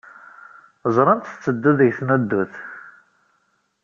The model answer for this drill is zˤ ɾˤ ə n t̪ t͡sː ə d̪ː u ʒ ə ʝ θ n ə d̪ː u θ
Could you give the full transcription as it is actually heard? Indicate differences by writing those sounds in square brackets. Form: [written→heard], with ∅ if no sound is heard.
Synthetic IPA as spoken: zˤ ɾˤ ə n t̪ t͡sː ə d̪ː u [ʒ→ð] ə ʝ θ n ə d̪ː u θ